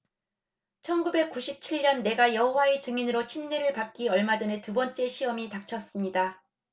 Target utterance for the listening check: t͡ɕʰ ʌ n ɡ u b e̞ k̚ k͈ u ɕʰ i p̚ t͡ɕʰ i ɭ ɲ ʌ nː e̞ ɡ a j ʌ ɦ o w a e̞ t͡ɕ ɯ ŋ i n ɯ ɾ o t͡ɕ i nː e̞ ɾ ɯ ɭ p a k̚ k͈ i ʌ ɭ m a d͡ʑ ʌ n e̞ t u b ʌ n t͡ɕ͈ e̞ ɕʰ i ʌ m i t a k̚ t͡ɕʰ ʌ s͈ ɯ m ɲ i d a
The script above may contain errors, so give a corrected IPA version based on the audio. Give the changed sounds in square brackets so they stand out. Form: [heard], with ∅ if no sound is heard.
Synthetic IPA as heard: t͡ɕʰ ʌ n ɡ u b e̞ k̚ k͈ u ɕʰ i p̚ t͡ɕʰ i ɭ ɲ ʌ nː e̞ ɡ a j ʌ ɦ o w a e̞ t͡ɕ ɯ ŋ i n ɯ ɾ o [t͡ɕʰ] i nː e̞ ɾ ɯ ɭ p a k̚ k͈ i ʌ ɭ m a d͡ʑ ʌ n e̞ t u b ʌ n t͡ɕ͈ e̞ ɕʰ i ʌ m i t a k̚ t͡ɕʰ ʌ s͈ ɯ m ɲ i d a